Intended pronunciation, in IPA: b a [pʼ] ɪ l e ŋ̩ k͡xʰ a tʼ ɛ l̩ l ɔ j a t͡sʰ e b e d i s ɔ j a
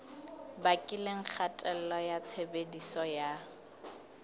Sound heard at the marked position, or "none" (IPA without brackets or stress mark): kʼ